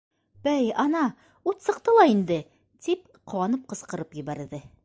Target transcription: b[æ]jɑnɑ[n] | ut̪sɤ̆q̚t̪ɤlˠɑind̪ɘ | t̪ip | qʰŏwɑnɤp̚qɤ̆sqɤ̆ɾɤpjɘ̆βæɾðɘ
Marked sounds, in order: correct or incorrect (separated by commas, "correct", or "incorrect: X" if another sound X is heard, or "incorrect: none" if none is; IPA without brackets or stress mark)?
correct, incorrect: none